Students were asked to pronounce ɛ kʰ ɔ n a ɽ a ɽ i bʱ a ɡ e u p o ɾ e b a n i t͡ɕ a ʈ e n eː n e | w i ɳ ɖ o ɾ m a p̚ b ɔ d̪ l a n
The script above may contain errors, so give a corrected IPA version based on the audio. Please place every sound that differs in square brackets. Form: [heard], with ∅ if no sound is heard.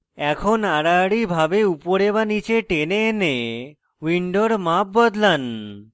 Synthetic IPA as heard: ɛ kʰ [o] n a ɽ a ɽ i bʱ a [b] e u p o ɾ e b a n i t͡ɕ [e] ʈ e n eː n e | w i ɳ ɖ o ɾ m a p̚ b ɔ d̪ l a n

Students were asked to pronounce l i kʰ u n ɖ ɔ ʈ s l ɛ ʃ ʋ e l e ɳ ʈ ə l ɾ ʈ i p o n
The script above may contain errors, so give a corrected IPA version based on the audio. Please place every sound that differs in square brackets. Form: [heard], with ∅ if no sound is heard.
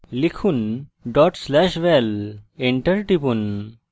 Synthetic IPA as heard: l i kʰ u n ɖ ɔ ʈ s l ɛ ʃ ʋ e l e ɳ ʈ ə [∅] ɾ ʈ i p [u] n

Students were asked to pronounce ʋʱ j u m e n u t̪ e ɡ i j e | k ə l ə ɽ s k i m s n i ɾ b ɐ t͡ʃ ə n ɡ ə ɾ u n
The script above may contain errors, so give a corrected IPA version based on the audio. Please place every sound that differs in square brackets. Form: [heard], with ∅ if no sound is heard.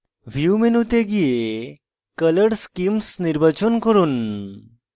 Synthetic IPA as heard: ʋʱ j u m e n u t̪ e ɡ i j e | k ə l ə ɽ s k i m s n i ɾ b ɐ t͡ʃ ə n [k] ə ɾ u n

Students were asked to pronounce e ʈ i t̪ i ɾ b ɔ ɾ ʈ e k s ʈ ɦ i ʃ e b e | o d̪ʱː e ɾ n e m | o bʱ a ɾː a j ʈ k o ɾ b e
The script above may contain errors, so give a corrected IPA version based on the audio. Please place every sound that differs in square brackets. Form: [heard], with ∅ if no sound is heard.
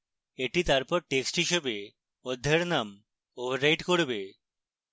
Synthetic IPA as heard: e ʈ i t̪ [a] ɾ [p] ɔ ɾ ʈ e k s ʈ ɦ i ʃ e b e | o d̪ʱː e ɾ n [a] m | o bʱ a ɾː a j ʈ k o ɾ b e

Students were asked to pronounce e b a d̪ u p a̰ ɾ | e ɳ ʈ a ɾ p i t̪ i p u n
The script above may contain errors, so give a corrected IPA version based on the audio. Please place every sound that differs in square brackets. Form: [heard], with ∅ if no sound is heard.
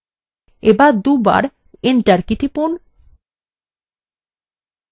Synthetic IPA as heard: e b a d̪ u [b] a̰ ɾ | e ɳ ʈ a ɾ [k] i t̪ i p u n

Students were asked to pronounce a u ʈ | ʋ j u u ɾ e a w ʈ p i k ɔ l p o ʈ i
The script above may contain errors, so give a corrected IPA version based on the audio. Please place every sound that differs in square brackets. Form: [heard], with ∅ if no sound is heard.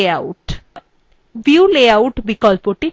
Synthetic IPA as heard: a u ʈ | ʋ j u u [l] e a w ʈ [b] i k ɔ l p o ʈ i

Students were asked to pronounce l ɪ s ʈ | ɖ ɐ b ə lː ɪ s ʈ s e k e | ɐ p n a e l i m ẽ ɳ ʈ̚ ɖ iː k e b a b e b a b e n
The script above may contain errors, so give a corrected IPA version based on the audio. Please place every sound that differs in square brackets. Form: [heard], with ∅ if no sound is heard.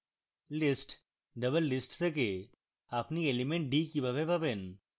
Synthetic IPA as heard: l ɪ s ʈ | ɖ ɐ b ə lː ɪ s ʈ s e k e | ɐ p n [i] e l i m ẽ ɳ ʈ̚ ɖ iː k [i] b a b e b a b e n

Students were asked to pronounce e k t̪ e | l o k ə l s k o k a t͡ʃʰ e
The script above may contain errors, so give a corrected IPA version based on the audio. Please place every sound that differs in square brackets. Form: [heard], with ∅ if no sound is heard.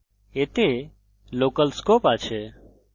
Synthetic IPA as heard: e [∅] t̪ e | l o k ə l s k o [p] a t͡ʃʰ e

